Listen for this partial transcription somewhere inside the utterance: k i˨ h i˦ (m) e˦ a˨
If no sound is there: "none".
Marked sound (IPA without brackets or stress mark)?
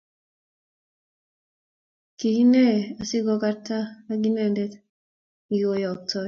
n